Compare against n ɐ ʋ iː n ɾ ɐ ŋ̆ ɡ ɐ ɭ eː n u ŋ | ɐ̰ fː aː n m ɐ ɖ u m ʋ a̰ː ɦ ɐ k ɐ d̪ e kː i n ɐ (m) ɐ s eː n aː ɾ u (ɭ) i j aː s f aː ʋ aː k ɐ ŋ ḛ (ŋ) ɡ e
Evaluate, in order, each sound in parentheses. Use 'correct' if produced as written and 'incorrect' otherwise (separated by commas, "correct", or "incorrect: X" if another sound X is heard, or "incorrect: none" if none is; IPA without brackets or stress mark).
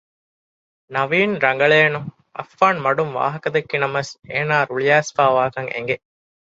correct, correct, correct